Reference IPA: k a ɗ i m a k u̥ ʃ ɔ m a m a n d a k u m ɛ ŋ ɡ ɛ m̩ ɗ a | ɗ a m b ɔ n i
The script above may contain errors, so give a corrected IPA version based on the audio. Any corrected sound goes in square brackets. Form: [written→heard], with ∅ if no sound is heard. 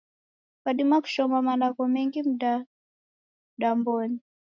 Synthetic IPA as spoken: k a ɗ i m a k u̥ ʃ ɔ m a m a n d a k [u→ɔ] m ɛ ŋ ɡ [ɛ→i] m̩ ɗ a | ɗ a m b ɔ n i